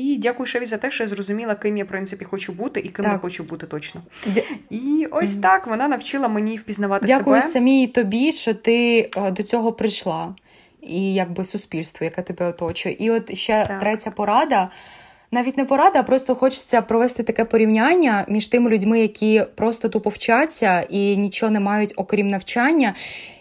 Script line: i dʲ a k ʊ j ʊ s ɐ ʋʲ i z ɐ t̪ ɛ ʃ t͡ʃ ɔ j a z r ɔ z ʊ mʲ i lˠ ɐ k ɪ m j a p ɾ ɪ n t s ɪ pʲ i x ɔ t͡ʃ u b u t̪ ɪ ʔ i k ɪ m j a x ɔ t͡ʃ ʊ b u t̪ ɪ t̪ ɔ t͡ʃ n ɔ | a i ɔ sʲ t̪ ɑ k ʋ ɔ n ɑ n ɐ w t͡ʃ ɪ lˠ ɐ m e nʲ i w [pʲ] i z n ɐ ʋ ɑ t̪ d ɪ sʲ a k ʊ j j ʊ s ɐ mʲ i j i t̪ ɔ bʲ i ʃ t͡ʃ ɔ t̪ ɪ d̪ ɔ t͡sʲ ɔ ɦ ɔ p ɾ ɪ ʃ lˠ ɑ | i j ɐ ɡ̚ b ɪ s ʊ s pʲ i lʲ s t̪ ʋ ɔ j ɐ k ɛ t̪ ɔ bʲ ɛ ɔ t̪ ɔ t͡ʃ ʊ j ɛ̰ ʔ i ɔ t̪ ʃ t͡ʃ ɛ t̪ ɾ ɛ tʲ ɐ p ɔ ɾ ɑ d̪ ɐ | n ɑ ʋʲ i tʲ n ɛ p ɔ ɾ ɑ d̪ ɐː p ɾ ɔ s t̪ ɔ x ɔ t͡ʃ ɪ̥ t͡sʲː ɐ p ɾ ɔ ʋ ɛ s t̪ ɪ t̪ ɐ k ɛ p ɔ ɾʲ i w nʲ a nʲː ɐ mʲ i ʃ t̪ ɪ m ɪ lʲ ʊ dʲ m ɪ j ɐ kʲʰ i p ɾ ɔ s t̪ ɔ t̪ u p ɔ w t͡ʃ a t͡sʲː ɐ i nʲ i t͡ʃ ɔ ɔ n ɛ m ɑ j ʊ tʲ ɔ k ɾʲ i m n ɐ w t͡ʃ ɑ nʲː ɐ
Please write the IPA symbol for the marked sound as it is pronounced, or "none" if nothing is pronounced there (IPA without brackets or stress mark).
pʲ